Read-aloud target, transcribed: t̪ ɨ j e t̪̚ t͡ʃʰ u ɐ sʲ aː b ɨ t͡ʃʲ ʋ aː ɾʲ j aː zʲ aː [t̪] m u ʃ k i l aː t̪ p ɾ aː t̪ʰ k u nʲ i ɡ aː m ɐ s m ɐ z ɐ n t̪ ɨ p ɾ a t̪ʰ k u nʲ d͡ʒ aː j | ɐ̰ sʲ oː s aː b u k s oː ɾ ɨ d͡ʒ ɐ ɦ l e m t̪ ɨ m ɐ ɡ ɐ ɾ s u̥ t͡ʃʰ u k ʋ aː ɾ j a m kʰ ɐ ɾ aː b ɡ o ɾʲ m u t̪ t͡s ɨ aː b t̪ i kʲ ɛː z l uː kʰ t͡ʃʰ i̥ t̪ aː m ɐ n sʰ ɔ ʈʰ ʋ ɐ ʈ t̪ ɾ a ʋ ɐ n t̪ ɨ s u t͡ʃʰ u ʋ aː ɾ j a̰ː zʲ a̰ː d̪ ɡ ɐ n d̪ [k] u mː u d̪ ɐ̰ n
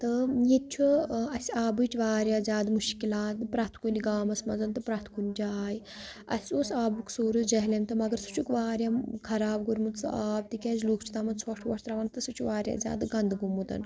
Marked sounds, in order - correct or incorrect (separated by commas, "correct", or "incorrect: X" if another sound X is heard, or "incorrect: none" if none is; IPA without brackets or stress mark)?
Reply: incorrect: d̪, incorrect: ɡ